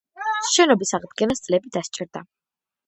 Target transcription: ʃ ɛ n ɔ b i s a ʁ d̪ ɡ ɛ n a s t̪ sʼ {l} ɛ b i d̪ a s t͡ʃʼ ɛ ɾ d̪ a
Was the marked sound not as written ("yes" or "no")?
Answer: no